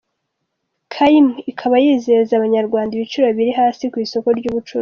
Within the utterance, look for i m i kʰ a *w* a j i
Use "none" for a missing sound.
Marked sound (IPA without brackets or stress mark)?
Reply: β